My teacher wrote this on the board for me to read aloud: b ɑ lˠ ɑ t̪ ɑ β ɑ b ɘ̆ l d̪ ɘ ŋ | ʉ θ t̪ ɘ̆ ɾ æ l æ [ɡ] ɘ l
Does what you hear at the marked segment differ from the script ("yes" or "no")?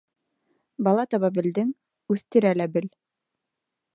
yes